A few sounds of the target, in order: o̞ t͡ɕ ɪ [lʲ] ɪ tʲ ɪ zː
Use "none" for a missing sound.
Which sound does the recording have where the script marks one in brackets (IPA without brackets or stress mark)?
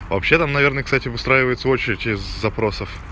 ɾʲ